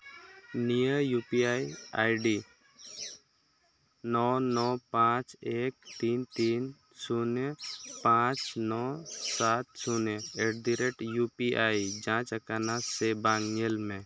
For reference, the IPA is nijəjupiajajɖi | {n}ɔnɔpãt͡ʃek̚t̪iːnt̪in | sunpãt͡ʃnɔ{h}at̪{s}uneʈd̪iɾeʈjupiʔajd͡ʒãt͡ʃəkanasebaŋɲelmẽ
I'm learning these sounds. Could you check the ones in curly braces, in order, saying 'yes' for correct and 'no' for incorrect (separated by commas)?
yes, no, yes